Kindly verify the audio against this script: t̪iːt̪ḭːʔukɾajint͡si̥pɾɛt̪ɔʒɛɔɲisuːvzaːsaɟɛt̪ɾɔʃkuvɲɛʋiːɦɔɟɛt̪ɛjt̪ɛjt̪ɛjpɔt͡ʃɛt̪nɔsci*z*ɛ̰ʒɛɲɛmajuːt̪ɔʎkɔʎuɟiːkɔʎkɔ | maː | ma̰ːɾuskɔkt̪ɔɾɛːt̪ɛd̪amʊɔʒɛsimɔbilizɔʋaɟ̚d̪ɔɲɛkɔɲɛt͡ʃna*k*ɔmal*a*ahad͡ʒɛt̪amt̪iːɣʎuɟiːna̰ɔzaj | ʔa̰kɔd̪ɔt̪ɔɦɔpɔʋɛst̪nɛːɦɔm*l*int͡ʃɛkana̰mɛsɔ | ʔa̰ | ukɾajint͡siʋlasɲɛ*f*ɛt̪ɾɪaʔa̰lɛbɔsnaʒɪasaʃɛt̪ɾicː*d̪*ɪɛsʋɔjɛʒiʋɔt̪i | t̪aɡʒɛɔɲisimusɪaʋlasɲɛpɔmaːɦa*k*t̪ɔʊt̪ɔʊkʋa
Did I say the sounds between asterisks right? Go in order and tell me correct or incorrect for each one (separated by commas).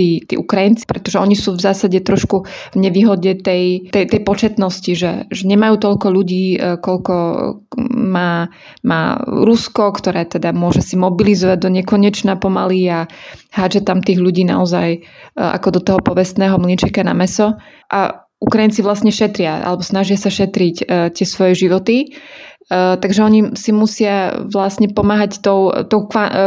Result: incorrect, incorrect, incorrect, correct, incorrect, incorrect, incorrect